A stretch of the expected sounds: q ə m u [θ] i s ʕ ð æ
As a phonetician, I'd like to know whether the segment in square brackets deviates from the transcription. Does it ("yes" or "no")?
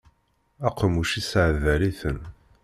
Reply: yes